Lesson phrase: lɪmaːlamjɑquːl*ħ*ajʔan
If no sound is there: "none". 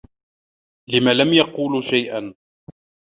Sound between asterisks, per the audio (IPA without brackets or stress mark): ʃ